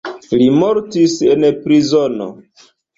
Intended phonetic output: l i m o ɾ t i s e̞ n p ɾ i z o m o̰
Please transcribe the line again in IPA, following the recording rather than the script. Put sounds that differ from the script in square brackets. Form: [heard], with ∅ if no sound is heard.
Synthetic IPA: l i m o ɾ t i s e̞ n p ɾ i z o [n] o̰